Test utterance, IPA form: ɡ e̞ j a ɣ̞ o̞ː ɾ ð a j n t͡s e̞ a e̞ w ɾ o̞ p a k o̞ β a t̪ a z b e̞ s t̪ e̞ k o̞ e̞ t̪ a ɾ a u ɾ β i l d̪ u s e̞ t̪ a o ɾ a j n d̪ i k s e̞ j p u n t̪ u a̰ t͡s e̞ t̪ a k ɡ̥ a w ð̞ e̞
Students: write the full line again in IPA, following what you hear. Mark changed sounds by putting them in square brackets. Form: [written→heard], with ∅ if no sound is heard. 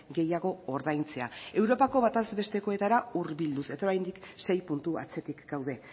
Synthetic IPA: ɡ e̞ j a ɣ̞ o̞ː ɾ ð a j n t͡s e̞ a e̞ w ɾ o̞ p a k o̞ β a t̪ a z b e̞ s t̪ e̞ k o̞ e̞ t̪ a ɾ a u ɾ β i l d̪ u s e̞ t̪ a o ɾ a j n d̪ i k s e̞ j p u n t̪ u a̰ t͡s e̞ t̪ [a→i] k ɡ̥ a w ð̞ e̞